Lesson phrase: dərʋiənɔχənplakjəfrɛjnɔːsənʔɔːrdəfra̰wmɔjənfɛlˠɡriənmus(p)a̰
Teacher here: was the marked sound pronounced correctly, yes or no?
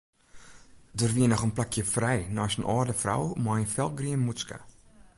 no